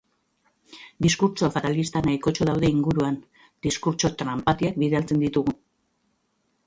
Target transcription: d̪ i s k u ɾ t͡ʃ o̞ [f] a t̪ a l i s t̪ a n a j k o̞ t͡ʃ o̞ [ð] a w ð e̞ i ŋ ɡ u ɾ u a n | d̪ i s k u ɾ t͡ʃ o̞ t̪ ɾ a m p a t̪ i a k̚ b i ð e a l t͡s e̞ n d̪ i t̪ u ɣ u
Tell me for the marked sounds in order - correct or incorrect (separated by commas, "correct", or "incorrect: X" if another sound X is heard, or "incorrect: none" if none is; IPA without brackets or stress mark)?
correct, correct